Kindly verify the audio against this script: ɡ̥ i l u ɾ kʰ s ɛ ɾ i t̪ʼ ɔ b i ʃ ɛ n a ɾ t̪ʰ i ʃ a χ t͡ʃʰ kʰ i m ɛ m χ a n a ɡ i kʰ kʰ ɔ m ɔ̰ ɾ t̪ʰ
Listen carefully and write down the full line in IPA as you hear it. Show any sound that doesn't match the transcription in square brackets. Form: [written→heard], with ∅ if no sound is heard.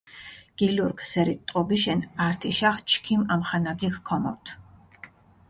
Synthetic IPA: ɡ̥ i l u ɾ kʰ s ɛ ɾ i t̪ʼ ɔ b i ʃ ɛ n a ɾ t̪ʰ i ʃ a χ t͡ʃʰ kʰ i m [ɛ→a] m χ a n a ɡ i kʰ kʰ ɔ m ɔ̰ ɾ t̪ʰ